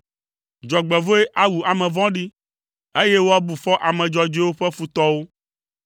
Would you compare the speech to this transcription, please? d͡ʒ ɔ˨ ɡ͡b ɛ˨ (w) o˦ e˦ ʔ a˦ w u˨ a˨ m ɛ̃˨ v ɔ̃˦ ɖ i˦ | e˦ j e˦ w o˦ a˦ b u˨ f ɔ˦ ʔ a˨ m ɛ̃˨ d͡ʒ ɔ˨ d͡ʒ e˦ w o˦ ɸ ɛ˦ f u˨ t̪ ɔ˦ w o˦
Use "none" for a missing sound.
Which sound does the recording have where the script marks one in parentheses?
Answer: v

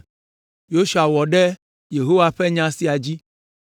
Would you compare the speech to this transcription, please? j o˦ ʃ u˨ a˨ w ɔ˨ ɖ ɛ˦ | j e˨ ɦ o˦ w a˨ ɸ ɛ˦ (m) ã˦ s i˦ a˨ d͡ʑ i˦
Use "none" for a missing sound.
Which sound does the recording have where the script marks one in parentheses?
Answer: ɲ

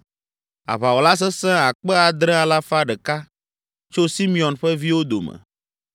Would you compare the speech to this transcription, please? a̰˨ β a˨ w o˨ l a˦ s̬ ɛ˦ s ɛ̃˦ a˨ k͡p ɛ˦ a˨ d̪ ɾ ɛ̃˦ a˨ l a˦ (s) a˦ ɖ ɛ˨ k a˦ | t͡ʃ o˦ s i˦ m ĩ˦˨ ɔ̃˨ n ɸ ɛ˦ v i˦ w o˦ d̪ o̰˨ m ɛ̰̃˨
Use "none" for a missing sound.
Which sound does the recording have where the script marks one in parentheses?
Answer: f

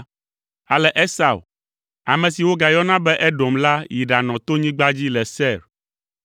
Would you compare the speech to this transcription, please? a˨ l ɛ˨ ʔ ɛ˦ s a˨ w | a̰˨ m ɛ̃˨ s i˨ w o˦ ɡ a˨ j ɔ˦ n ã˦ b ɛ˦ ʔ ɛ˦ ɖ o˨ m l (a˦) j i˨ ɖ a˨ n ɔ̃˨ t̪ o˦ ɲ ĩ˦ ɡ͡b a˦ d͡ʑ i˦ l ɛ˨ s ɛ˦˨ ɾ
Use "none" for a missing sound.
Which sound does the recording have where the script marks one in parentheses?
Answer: a˦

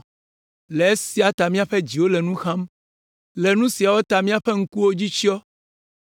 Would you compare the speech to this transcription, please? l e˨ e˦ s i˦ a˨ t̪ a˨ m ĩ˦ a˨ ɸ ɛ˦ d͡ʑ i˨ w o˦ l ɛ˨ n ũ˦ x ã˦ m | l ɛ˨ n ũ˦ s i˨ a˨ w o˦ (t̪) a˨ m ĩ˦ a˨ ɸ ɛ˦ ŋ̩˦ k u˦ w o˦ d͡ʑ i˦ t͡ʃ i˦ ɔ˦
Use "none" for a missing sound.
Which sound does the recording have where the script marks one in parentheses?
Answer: t̪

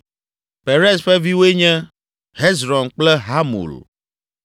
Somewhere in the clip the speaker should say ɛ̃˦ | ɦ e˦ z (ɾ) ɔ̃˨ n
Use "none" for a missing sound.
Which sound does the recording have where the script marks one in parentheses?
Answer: ɾ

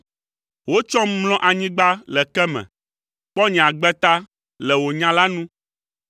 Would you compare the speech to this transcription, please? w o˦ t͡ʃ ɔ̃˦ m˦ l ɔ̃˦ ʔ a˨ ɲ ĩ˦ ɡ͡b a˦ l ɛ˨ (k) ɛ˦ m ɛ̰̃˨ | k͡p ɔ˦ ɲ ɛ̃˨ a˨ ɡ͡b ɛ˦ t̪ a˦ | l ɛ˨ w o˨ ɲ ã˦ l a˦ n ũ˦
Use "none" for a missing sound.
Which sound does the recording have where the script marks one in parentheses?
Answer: k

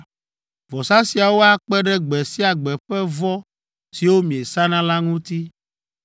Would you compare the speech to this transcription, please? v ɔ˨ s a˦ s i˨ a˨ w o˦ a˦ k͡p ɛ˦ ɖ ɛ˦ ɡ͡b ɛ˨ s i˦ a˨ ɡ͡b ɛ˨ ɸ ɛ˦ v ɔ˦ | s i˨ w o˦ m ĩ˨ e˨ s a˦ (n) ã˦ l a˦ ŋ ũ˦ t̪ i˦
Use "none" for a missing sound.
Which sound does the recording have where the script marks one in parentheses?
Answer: n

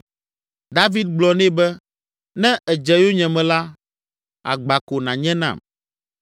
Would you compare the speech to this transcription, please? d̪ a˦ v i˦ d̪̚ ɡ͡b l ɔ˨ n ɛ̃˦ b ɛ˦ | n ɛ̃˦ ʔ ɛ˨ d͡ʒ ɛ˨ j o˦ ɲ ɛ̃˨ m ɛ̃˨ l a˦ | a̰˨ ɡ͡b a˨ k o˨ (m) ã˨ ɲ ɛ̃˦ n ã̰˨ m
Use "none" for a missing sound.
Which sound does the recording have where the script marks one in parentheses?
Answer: n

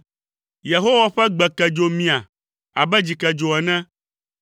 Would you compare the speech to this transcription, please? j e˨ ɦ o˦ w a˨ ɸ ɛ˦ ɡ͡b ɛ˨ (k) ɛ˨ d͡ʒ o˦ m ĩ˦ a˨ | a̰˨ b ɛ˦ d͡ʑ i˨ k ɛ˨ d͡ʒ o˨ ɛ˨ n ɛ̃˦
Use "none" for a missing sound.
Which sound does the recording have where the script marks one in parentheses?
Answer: k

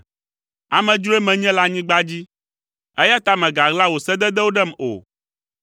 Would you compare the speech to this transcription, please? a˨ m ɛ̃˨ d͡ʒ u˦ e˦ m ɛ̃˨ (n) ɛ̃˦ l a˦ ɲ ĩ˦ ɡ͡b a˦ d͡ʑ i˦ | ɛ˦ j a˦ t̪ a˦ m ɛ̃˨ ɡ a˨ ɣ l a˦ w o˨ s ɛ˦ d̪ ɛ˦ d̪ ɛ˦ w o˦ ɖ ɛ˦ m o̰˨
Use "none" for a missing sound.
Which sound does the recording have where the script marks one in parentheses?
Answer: ɲ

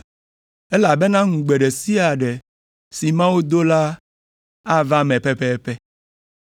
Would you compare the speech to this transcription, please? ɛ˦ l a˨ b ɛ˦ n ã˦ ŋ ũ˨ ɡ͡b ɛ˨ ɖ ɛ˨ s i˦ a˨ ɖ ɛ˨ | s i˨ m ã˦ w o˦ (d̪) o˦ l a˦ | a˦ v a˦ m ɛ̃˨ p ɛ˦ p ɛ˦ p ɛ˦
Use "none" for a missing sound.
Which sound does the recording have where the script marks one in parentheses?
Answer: d̪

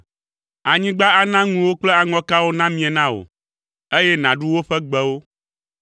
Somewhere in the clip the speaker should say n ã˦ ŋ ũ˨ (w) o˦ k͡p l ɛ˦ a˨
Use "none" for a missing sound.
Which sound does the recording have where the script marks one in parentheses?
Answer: w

